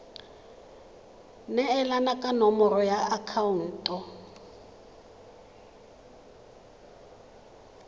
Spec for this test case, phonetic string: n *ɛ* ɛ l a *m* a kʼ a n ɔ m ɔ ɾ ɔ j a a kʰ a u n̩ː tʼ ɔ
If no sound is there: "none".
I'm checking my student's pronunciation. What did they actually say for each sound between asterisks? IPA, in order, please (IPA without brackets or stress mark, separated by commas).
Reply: ɛ, n